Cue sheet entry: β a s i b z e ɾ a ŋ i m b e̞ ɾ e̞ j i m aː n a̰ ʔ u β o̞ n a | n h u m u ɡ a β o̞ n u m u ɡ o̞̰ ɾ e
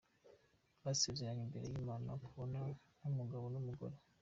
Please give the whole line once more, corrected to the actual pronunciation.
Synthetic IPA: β a s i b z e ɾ a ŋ i m b e̞ ɾ e̞ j i m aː n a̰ k u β o̞ n a | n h u m u ɡ a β o̞ n u m u ɡ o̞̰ ɾ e